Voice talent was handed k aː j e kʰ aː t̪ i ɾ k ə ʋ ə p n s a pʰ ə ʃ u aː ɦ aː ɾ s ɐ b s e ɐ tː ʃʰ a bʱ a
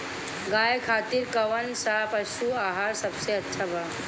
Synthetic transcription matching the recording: ɡ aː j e kʰ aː t̪ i ɾ k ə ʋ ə n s a p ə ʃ u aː ɦ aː ɾ s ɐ b s e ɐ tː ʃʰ a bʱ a